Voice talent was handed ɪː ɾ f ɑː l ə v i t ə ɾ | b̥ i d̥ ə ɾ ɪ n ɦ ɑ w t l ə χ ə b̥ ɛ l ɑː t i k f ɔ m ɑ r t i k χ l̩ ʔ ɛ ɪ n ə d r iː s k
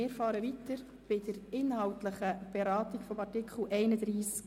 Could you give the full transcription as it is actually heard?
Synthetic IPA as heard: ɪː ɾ f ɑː ɾ ə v i t ə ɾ | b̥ ɪ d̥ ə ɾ ɪ n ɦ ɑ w t l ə χ ə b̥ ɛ ɾ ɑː t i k f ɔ m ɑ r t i k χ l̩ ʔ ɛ ɪ n ə d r iː s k